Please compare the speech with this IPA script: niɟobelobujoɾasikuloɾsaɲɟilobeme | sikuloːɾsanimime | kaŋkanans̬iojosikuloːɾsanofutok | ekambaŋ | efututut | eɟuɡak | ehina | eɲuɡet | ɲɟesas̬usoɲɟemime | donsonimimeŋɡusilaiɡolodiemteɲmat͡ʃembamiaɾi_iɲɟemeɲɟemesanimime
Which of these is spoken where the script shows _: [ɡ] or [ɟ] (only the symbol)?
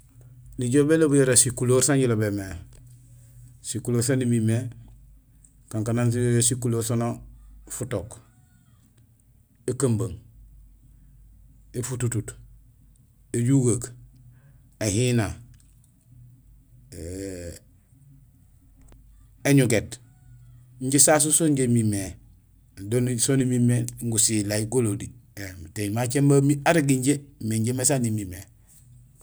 ɡ